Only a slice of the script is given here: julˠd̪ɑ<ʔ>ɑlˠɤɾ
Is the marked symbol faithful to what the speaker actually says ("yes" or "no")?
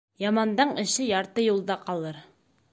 no